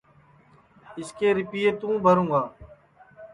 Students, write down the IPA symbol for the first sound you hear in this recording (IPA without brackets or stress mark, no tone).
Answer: ɪ